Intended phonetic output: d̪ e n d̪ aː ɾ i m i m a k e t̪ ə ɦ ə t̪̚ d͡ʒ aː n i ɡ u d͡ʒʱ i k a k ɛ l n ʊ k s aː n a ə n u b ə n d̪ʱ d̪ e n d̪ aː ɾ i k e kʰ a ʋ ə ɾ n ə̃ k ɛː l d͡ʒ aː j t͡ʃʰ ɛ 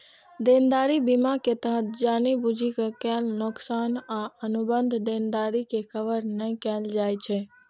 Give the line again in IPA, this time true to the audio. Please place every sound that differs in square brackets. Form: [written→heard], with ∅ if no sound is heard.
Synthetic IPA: d̪ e n d̪ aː ɾ i [m→b] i m a k e t̪ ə ɦ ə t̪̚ d͡ʒ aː n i [ɡ→b] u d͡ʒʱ i k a k ɛ l n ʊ k s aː n a ə n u b ə n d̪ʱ d̪ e n d̪ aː ɾ i k e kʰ [a→ə] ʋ ə ɾ n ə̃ k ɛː l d͡ʒ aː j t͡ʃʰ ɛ